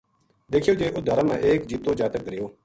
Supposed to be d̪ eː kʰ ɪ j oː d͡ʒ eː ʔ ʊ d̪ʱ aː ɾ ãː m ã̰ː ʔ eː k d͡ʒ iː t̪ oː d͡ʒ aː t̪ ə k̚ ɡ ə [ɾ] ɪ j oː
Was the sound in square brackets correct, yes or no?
yes